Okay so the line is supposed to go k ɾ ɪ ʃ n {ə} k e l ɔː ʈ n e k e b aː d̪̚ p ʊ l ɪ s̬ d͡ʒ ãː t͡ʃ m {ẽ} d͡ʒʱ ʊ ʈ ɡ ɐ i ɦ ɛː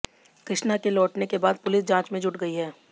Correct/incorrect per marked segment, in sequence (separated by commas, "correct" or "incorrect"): incorrect, correct